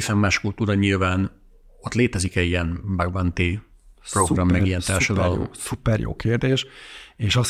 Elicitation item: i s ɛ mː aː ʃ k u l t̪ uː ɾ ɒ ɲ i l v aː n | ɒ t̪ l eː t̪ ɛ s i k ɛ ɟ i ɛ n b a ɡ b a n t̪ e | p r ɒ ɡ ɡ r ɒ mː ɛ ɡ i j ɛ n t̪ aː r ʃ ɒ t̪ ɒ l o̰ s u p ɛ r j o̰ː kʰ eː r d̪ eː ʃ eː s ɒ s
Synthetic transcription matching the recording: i s ɛ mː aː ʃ k u l t̪ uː ɾ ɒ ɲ i l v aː n | o t̪ l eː t̪ ɛ z i k ɛ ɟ i ɛ n b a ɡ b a n t̪ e | p r o ɡ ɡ r ɒ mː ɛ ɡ i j ɛ n t̪ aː r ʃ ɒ d̪ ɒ l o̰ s u p ɛ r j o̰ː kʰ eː r d̪ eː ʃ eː ʃ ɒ s